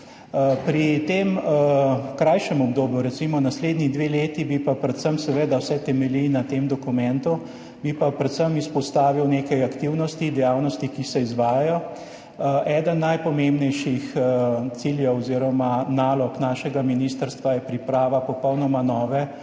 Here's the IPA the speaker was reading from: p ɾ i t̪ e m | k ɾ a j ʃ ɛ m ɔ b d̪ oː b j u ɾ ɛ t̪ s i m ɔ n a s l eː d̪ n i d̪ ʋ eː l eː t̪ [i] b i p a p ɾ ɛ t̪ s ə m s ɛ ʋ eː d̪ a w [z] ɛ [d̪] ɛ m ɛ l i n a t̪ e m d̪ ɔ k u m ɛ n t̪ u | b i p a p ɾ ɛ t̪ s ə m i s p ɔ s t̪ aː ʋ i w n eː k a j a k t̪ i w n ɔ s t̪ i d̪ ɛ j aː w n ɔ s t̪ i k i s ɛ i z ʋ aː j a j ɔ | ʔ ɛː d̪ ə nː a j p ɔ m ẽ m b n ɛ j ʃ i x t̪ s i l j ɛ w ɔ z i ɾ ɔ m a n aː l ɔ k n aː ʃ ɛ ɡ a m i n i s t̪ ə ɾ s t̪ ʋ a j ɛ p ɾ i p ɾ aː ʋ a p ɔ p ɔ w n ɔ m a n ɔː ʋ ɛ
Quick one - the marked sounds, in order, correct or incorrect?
correct, incorrect, incorrect

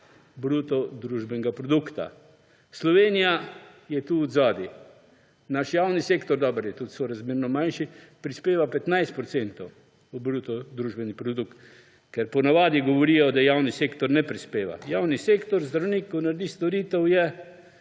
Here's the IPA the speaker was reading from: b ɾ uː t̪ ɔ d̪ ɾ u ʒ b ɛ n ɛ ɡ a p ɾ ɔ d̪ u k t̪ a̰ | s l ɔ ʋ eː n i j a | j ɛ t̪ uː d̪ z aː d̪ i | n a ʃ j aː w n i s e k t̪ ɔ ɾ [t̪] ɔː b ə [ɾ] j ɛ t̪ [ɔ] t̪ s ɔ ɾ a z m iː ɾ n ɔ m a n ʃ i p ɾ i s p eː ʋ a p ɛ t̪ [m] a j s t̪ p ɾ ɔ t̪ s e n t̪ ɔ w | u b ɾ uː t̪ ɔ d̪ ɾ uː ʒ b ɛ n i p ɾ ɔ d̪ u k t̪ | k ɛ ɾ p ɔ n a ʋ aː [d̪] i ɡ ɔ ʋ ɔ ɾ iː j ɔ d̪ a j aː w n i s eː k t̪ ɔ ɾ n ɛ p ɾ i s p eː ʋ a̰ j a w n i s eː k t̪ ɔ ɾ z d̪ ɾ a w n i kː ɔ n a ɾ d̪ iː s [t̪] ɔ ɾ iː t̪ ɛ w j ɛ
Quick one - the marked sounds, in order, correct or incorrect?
incorrect, correct, incorrect, incorrect, correct, correct

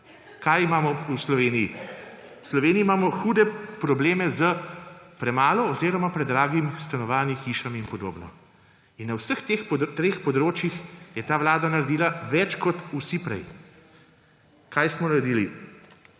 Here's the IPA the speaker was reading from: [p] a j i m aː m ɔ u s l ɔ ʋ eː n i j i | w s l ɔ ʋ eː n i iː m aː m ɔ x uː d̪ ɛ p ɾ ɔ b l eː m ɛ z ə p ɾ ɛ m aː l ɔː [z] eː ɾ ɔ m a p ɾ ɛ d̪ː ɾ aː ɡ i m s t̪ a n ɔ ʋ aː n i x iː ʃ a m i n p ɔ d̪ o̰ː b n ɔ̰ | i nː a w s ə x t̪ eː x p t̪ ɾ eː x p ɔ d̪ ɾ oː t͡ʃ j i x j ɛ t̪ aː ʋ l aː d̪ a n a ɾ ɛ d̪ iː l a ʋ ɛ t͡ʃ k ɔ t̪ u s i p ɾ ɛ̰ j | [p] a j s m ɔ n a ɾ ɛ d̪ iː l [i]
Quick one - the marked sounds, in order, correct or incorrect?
incorrect, correct, incorrect, correct

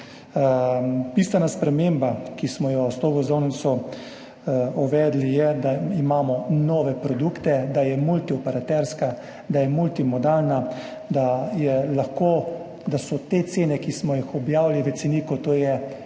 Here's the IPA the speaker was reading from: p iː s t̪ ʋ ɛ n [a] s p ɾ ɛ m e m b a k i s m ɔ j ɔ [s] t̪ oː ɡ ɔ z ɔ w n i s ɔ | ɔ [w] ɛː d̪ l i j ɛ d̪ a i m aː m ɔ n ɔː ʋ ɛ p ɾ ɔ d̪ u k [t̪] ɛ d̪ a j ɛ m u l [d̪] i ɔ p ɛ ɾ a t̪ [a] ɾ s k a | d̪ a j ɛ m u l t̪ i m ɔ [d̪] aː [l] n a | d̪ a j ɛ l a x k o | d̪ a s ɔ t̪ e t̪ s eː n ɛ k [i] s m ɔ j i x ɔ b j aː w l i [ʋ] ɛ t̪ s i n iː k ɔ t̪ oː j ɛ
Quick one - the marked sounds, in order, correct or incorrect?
correct, correct, incorrect, correct, incorrect, incorrect, correct, correct, correct, correct

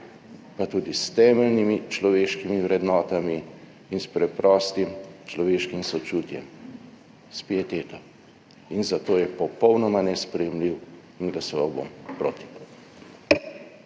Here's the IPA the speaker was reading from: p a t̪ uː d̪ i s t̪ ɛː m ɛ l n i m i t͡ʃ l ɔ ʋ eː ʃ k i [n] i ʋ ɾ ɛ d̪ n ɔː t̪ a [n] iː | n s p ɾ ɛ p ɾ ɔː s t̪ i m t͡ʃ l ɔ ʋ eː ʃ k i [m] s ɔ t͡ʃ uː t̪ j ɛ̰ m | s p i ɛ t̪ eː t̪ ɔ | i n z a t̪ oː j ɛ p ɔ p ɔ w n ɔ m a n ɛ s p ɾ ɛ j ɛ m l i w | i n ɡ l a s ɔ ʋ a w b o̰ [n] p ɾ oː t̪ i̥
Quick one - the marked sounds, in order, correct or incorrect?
incorrect, incorrect, correct, incorrect

